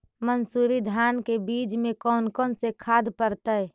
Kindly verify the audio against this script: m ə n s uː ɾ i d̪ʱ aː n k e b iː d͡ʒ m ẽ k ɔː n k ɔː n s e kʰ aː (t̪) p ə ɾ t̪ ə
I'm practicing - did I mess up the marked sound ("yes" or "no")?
yes